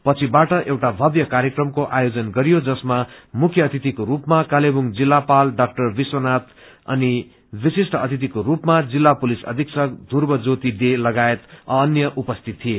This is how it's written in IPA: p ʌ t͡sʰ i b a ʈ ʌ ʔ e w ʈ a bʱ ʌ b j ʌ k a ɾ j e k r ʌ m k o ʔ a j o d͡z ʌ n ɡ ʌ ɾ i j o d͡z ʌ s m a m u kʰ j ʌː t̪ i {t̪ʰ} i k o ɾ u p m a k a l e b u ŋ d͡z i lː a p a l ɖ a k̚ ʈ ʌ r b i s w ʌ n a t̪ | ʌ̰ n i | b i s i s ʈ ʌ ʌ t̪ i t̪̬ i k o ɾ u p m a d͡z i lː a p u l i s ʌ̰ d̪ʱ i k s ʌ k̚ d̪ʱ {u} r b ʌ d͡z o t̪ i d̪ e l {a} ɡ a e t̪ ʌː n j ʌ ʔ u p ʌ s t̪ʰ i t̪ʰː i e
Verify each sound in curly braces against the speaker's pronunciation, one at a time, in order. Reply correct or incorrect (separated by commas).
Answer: incorrect, correct, incorrect